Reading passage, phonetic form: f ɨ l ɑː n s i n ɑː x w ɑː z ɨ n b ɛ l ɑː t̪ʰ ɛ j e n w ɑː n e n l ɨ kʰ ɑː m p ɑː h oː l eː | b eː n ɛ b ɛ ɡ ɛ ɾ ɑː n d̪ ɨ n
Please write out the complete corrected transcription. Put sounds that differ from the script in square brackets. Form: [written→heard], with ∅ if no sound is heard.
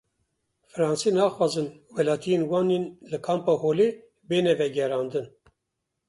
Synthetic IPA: f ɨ [l→ɾ] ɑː n s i n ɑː x w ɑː z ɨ n [b→w] ɛ l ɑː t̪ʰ [ɛ→i] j e n w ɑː n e n l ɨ kʰ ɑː m p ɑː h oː l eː | b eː n ɛ [b→v] ɛ ɡ ɛ ɾ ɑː n d̪ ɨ n